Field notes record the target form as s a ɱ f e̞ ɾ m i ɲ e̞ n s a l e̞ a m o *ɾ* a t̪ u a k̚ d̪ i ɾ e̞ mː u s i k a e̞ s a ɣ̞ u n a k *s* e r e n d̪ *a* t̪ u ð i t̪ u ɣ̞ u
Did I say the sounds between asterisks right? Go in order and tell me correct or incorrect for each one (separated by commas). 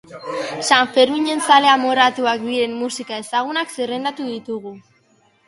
correct, correct, correct